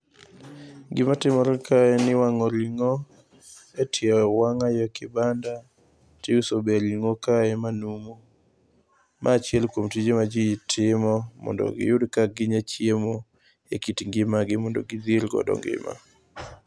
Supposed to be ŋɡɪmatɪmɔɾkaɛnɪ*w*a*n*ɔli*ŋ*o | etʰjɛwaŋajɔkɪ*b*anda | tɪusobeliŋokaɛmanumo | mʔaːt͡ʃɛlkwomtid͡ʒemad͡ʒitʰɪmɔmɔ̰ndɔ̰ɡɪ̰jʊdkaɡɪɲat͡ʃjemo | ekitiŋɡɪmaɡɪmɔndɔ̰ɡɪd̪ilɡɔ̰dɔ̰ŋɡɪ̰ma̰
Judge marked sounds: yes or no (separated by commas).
yes, no, yes, yes